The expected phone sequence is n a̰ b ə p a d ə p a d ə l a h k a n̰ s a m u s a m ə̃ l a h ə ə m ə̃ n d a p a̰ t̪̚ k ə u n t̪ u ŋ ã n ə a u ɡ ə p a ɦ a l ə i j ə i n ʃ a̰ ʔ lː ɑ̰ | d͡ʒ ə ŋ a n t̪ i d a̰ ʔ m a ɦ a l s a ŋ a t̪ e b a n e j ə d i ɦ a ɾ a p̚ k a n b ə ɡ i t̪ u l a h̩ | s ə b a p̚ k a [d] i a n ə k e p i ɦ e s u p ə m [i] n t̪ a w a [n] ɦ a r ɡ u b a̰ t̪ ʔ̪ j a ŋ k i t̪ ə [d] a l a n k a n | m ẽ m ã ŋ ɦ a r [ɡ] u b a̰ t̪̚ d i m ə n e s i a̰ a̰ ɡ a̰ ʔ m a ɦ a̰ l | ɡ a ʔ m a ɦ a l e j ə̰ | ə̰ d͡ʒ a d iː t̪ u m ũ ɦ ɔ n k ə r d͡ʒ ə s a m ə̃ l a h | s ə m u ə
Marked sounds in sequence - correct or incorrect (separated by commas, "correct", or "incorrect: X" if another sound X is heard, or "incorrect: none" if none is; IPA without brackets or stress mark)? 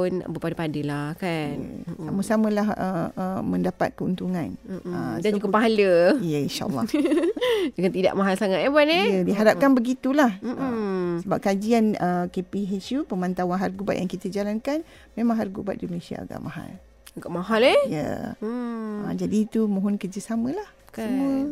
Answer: incorrect: d͡ʒ, incorrect: a, correct, incorrect: d͡ʒ, correct